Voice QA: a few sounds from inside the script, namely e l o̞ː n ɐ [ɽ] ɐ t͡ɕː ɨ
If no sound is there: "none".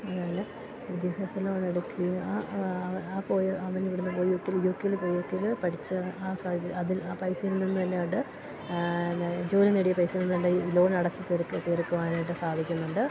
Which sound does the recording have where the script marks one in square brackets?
ɽ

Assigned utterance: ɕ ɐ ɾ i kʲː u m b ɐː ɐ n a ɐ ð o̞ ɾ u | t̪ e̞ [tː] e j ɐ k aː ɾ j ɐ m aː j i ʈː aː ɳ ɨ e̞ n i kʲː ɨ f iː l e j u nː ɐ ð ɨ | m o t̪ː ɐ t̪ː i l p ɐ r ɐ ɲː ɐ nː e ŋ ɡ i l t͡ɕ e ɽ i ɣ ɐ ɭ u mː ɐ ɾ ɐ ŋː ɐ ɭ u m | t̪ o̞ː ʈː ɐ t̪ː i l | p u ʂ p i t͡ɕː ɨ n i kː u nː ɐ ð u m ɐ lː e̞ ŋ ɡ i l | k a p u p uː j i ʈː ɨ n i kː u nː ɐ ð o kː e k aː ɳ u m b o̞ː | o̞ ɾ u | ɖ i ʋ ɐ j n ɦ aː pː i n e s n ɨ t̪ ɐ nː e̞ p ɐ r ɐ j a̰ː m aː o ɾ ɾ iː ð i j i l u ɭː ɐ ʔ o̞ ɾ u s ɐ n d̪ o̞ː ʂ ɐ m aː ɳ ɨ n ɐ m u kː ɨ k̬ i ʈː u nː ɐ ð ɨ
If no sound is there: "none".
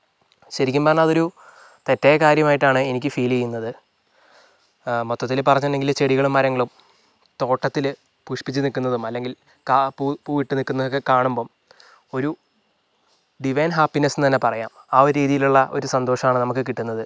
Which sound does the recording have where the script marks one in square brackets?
tː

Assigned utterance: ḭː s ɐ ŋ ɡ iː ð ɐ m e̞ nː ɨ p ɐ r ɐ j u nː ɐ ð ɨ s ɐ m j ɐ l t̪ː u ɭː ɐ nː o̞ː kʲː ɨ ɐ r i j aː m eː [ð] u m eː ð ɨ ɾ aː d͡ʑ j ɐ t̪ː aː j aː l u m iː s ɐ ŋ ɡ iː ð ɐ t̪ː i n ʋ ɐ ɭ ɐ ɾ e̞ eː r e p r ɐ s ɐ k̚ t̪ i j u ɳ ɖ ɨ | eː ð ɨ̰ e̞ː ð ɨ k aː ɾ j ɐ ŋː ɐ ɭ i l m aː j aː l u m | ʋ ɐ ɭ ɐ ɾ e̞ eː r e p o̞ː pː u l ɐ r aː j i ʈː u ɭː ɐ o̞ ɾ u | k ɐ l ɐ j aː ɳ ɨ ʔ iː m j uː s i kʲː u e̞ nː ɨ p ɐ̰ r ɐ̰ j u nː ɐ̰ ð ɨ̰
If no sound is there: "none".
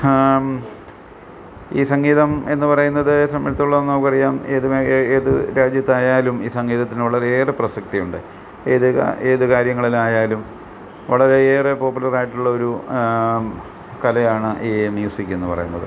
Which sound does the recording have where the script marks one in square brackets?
ð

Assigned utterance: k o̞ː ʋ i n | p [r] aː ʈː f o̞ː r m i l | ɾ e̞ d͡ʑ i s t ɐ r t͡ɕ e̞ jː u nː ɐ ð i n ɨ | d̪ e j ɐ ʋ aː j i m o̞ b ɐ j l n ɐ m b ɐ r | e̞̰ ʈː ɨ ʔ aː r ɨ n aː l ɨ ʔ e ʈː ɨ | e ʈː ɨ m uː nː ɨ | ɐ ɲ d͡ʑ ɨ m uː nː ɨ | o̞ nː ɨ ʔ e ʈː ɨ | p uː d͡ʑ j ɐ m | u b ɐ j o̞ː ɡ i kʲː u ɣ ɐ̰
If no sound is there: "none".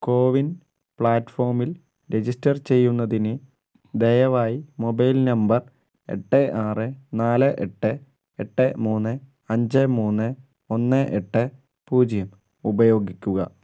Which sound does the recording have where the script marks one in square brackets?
ɭ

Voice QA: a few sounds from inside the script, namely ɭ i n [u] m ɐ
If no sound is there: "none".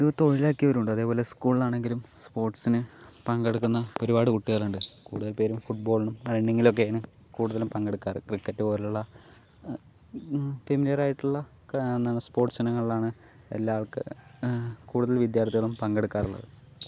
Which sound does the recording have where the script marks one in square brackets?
u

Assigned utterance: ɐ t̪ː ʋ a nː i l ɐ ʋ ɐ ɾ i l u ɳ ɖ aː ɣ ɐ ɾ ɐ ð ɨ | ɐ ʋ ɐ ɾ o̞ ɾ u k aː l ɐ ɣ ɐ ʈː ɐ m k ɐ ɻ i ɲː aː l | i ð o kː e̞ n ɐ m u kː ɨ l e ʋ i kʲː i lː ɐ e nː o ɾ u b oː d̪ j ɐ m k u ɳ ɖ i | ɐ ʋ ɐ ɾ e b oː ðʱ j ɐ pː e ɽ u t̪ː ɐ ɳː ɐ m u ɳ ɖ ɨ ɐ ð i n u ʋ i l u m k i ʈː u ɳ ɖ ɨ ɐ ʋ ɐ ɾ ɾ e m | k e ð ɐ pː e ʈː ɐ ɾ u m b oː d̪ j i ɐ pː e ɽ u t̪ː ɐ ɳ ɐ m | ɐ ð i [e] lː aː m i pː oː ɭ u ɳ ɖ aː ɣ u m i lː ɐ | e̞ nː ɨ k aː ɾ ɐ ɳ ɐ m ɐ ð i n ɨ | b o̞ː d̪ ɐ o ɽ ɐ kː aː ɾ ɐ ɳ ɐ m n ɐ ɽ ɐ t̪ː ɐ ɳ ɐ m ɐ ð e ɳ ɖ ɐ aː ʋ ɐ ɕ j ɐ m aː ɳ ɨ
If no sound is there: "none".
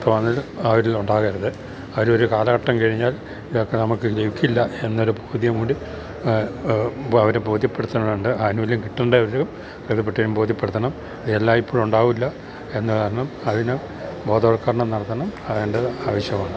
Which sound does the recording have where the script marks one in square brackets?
e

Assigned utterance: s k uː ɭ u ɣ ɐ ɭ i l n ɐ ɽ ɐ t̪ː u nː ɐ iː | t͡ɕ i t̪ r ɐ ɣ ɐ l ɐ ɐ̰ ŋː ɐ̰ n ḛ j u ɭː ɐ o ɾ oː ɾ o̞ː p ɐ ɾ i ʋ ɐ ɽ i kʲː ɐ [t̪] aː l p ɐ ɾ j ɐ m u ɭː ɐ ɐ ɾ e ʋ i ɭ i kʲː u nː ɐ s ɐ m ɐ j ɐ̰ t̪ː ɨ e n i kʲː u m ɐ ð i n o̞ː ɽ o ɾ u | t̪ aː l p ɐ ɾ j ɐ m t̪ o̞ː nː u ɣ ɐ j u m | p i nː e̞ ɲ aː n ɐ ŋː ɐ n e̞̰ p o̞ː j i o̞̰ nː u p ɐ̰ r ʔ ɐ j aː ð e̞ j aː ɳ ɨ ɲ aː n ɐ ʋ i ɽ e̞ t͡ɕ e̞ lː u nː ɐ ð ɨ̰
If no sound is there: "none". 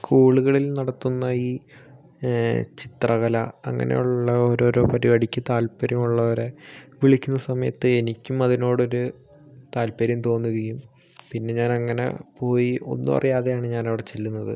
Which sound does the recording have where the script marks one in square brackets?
t̪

